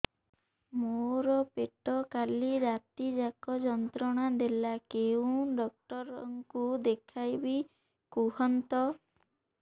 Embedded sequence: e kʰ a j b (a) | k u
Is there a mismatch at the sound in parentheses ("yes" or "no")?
yes